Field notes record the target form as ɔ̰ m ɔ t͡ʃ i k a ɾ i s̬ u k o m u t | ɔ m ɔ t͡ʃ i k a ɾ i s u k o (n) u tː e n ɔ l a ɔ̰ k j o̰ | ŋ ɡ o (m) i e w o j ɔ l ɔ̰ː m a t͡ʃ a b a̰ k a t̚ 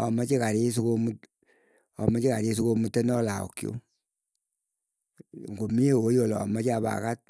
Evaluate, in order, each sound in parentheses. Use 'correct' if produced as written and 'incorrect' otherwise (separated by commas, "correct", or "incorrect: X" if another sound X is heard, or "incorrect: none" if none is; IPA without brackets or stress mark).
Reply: incorrect: m, correct